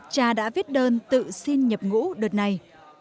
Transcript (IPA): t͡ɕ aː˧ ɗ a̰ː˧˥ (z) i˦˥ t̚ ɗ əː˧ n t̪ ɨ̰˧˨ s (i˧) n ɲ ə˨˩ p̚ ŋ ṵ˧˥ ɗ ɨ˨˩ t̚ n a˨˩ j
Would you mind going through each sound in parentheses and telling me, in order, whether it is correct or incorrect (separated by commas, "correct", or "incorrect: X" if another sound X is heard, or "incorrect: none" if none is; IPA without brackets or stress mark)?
incorrect: v, correct